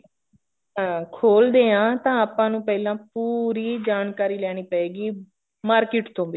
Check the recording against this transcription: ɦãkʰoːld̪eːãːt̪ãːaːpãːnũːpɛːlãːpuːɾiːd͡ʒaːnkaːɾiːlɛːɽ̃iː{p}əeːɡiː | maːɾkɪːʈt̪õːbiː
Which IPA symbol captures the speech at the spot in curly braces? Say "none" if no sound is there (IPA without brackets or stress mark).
p